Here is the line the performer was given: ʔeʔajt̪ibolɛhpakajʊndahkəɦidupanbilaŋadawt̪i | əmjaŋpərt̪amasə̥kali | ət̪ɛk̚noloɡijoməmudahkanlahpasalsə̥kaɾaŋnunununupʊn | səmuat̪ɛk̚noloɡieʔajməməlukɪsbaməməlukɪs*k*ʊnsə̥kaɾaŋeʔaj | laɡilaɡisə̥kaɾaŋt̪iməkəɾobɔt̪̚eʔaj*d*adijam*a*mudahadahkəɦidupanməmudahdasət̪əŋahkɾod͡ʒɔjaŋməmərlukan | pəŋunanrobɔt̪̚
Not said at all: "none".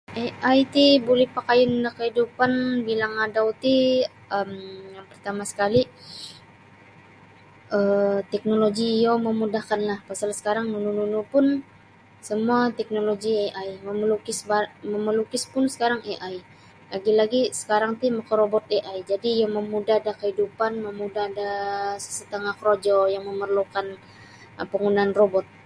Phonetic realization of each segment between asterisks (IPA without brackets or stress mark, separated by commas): p, d͡ʒ, ə